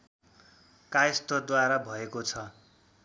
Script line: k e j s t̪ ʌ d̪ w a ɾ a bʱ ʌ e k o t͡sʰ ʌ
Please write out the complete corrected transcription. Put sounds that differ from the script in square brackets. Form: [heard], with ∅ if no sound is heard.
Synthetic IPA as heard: k [a] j s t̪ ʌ d̪ w a ɾ a bʱ ʌ e k o t͡sʰ ʌ